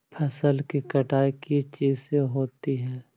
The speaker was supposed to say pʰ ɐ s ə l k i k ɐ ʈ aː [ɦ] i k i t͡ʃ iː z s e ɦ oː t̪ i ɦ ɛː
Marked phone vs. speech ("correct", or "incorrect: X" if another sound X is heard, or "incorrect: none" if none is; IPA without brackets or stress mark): incorrect: none